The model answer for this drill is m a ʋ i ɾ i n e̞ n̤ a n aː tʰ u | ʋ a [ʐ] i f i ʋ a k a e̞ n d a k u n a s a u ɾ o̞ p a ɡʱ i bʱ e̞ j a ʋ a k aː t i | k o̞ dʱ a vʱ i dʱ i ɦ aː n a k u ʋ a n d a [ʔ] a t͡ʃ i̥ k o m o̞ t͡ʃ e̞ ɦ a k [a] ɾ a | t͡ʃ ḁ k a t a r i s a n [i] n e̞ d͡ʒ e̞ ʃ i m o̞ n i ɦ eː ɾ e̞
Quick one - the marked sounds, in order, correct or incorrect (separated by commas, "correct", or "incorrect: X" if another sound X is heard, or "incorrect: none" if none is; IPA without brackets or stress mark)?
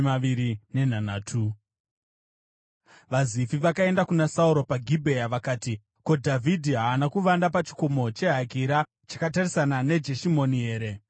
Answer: incorrect: z, incorrect: p, incorrect: i, incorrect: a